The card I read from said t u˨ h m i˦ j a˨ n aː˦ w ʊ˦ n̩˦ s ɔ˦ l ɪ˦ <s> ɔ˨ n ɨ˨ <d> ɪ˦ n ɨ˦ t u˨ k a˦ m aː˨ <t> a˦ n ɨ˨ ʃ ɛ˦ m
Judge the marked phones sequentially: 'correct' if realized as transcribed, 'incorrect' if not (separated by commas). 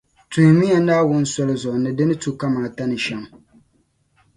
incorrect, correct, correct